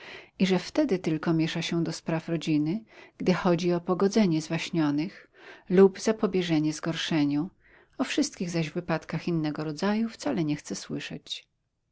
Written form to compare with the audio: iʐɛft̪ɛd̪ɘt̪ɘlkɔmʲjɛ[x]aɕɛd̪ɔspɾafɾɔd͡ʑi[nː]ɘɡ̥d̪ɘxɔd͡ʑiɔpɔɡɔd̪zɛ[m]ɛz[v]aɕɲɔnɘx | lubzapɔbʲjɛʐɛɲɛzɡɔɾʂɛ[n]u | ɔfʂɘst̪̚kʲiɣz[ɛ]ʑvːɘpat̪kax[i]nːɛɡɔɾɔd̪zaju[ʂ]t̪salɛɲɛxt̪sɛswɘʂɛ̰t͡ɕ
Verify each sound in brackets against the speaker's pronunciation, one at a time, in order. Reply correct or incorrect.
incorrect, incorrect, incorrect, correct, incorrect, incorrect, correct, incorrect

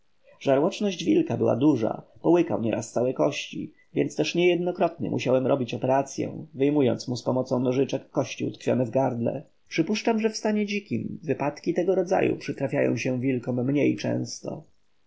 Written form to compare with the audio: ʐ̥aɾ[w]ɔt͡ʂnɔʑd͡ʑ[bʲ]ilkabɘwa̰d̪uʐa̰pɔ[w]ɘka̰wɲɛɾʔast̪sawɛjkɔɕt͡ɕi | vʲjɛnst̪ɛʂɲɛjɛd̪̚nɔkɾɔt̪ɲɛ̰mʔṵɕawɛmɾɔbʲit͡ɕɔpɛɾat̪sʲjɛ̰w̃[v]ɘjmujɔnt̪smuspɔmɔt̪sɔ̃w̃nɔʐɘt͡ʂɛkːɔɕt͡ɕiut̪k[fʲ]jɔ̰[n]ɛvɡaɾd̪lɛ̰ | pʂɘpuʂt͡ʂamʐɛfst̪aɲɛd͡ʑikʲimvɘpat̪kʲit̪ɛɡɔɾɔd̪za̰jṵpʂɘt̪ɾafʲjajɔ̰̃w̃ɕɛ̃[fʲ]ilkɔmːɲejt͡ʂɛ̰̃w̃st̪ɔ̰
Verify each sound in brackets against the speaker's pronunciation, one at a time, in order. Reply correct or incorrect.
correct, incorrect, correct, correct, correct, correct, incorrect

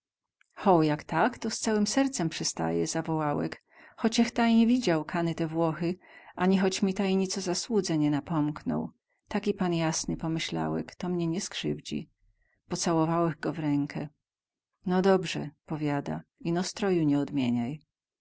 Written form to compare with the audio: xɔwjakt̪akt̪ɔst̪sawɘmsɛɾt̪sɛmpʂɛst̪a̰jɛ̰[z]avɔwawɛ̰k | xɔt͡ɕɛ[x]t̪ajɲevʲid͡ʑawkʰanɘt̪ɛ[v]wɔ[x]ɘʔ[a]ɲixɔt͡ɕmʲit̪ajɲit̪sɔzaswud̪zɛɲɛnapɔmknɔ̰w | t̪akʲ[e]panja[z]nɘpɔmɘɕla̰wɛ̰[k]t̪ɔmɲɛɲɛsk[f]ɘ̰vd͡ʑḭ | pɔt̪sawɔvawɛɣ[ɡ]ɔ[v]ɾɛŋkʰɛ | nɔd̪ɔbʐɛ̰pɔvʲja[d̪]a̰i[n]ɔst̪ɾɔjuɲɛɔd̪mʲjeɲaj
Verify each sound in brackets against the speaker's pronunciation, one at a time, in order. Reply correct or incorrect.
correct, correct, correct, correct, correct, incorrect, incorrect, correct, incorrect, correct, correct, correct, correct

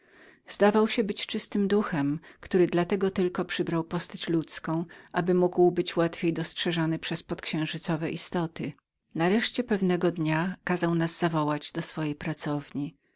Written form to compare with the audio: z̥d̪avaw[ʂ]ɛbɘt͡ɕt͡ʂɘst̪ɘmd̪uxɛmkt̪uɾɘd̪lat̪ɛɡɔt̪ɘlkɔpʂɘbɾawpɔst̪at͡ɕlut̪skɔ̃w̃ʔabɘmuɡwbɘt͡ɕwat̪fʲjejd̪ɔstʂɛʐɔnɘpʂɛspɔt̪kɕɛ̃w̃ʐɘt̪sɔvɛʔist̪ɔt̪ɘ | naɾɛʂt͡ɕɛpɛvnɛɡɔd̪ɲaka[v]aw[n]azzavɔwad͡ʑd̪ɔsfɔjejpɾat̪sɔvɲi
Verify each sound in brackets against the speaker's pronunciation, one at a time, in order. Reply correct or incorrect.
incorrect, incorrect, correct

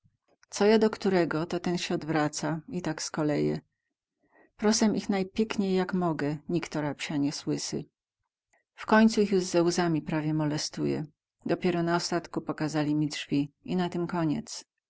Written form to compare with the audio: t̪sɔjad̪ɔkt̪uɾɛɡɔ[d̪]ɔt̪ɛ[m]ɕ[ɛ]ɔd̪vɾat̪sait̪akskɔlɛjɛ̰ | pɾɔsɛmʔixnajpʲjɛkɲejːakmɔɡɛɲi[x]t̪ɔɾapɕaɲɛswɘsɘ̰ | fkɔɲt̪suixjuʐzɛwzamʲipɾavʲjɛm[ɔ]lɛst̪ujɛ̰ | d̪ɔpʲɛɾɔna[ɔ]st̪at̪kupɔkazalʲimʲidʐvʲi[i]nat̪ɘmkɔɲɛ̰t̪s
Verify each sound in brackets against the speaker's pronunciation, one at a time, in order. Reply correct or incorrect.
incorrect, incorrect, correct, incorrect, correct, correct, correct

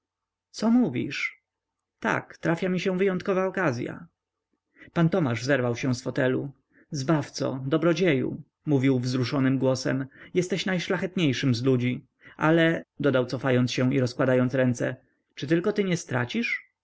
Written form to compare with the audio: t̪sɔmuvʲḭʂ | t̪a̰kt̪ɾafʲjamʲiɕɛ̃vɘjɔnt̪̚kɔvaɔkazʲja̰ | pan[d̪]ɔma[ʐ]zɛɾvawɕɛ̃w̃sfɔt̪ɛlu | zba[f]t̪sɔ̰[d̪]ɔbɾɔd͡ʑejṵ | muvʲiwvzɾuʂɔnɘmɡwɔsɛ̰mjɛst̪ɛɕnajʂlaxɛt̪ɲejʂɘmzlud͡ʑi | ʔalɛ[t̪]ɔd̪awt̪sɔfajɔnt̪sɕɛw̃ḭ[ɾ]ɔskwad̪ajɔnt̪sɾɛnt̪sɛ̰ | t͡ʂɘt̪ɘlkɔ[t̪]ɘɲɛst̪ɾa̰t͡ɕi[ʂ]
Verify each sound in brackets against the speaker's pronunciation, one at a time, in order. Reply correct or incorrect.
incorrect, correct, correct, correct, incorrect, correct, correct, correct

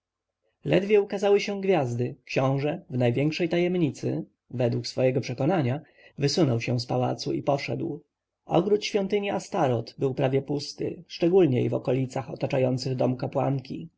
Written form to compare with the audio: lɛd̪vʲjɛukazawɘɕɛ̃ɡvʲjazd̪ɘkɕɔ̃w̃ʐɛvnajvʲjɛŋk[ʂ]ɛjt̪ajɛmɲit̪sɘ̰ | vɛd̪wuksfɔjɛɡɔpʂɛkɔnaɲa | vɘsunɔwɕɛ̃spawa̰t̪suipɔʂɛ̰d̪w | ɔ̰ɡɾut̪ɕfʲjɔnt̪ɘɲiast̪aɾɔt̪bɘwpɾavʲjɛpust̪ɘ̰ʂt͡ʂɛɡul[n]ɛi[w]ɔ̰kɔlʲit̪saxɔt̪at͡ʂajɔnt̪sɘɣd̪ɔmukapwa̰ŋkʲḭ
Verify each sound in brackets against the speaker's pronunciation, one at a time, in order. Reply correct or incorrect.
correct, incorrect, incorrect

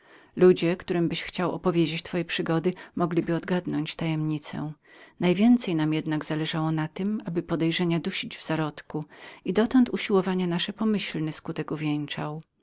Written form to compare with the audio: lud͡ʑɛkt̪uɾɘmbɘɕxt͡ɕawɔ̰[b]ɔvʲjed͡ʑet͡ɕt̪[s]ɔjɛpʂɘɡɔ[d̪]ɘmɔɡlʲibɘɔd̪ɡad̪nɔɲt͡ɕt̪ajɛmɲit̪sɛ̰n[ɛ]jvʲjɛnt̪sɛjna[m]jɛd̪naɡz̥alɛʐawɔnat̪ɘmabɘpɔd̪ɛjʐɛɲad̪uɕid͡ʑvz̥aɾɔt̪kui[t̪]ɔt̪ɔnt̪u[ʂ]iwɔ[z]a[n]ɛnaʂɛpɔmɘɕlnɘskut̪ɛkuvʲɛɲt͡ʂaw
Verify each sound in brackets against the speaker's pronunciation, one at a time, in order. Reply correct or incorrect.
incorrect, incorrect, correct, incorrect, correct, incorrect, incorrect, incorrect, incorrect

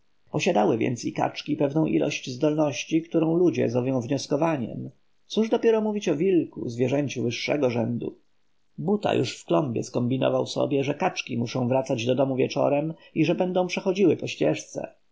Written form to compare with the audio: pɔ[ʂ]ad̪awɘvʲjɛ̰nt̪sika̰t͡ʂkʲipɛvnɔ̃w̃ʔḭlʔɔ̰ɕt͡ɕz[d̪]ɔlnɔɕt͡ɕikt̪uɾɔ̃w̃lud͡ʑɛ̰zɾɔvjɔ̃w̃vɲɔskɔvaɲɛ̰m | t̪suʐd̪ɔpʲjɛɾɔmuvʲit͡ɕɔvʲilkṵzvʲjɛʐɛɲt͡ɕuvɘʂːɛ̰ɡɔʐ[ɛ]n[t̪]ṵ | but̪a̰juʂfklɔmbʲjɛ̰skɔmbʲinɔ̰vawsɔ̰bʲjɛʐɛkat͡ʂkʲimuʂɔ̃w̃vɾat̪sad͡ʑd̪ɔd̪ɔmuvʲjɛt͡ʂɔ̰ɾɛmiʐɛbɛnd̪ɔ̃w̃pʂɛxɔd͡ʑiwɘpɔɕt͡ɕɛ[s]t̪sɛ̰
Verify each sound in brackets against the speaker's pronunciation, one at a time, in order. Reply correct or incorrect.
incorrect, correct, correct, incorrect, incorrect

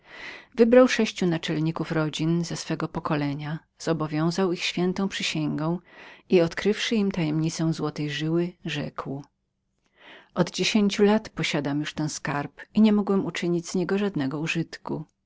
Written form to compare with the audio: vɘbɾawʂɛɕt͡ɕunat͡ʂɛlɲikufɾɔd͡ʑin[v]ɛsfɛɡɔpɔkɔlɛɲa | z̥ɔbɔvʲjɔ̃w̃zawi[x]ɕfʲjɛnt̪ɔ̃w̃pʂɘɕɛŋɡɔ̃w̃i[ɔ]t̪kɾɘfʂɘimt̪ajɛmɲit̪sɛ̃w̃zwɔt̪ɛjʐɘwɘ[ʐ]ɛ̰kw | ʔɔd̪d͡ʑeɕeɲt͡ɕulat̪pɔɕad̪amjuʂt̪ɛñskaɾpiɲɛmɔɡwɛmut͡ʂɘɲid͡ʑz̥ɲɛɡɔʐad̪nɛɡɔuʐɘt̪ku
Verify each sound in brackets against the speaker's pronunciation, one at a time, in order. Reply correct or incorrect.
incorrect, correct, correct, correct

